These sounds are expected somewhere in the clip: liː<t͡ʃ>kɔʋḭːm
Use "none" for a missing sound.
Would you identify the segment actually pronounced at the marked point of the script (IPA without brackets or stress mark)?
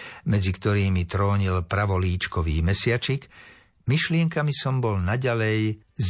t͡ʃ